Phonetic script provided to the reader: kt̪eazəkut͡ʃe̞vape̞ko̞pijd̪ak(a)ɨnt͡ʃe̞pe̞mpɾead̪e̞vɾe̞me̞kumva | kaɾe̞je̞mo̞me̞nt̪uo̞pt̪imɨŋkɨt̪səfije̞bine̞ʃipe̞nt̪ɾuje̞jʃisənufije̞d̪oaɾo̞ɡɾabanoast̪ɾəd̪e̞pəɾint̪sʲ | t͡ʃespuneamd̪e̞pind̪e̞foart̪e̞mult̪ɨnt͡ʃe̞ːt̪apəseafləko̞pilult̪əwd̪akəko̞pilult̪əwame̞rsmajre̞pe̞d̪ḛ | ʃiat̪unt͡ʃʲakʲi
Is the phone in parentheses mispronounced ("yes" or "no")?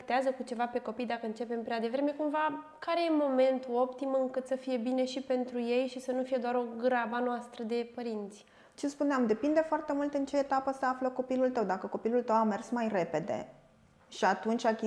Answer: yes